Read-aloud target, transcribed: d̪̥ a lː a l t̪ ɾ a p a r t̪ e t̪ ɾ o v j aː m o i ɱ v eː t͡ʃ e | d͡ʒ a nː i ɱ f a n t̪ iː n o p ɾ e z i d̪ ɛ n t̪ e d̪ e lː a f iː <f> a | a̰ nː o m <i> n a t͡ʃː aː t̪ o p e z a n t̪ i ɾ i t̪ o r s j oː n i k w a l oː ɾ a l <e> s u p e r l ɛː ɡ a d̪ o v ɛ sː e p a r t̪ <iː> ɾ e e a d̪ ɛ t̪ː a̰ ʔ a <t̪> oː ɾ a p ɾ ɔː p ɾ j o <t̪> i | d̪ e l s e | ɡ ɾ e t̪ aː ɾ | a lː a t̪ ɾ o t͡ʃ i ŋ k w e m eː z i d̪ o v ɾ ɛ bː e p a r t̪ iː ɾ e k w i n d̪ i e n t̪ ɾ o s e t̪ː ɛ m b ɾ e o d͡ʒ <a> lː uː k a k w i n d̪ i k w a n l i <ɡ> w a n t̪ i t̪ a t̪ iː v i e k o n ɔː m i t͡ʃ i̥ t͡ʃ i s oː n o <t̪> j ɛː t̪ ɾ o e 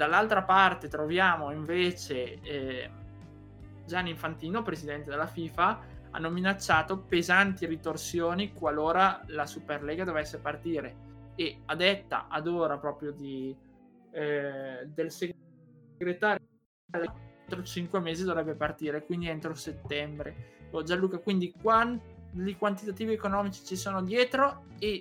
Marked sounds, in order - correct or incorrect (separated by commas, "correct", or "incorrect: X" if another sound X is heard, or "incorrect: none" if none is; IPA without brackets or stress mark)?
correct, correct, incorrect: a, correct, incorrect: d̪, incorrect: d̪, correct, incorrect: k, incorrect: d̪